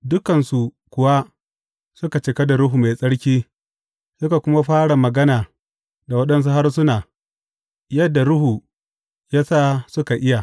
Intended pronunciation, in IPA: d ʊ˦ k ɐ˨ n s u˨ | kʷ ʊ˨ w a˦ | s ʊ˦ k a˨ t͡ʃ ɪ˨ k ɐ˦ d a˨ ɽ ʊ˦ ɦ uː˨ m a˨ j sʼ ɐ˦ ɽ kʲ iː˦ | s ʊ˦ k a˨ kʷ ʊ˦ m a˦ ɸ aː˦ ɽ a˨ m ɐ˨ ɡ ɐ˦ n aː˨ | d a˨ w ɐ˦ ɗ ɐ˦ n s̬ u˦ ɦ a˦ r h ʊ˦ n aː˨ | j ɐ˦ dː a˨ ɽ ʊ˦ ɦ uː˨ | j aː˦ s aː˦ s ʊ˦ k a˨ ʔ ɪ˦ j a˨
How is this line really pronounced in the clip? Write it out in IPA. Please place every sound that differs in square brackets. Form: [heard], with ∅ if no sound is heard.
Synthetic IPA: d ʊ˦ k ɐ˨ n s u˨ | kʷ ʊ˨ w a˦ | s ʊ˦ k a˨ t͡ʃ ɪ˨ k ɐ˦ d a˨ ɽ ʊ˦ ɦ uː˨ m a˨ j sʼ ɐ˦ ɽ kʲ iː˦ | s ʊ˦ k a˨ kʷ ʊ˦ m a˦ ɸ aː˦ ɽ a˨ m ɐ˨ ɡ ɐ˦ n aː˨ | d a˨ w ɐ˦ ɗ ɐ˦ n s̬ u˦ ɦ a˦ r [s] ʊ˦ n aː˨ | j ɐ˦ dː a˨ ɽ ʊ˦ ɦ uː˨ | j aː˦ s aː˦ s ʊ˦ k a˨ ʔ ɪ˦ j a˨